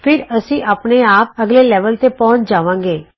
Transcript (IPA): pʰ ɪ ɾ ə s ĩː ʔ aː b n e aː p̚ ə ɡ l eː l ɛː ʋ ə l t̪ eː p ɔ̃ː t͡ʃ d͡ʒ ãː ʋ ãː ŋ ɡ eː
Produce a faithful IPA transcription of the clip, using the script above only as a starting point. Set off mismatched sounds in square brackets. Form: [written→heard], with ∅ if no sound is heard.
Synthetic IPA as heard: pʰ ɪ ɾ ə s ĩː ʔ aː [b→p] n e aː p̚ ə ɡ l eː l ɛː ʋ ə l t̪ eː p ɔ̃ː t͡ʃ d͡ʒ [ãː→aː] ʋ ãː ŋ ɡ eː